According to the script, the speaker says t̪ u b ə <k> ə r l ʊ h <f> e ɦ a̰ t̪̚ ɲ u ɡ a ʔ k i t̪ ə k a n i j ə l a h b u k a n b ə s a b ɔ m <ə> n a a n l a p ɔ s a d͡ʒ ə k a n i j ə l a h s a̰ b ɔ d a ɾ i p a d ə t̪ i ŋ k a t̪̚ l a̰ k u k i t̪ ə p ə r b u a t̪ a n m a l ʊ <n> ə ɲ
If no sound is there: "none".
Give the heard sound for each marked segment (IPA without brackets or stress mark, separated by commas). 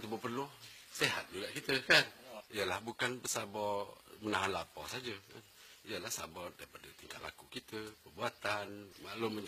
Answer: p, s, ə, m